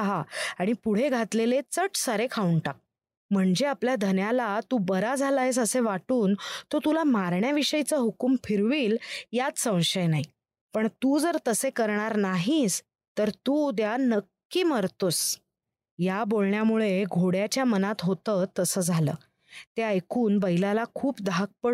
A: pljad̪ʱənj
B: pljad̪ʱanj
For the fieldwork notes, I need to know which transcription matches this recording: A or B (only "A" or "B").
A